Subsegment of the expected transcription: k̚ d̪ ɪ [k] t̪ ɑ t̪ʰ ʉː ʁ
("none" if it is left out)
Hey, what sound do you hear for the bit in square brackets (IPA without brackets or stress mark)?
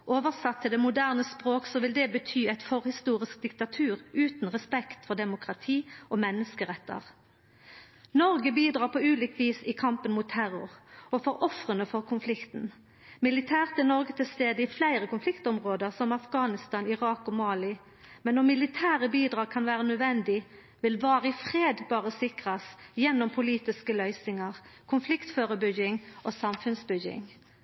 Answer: k